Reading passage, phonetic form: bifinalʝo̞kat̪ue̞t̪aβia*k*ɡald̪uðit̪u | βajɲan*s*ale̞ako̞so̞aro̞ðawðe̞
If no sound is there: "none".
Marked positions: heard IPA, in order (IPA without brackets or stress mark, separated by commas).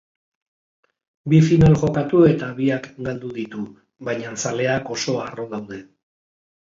k, s